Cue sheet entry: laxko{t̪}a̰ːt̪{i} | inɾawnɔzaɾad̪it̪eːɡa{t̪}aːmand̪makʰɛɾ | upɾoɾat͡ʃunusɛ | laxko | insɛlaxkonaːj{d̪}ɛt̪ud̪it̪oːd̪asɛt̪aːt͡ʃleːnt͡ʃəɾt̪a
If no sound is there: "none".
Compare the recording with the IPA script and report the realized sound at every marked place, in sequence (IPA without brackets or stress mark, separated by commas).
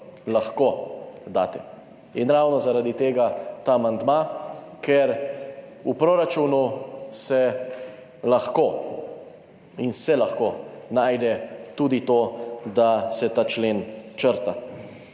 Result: d̪, ɛ, t̪, d̪